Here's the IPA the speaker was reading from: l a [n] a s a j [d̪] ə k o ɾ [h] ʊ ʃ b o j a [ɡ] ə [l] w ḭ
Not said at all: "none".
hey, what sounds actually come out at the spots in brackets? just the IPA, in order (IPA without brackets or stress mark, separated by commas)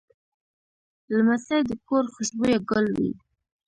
m, d̪, x, ɡ, l